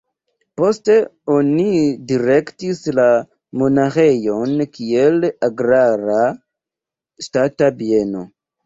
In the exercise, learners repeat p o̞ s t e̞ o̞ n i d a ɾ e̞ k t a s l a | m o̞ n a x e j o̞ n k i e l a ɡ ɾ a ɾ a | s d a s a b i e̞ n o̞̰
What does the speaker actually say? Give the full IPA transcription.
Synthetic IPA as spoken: p o̞ s t e̞ o̞ n i d i ɾ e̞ k t i s l a | m o̞ n a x e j o̞ n k i e l a ɡ ɾ a ɾ a | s t a t a b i e̞ n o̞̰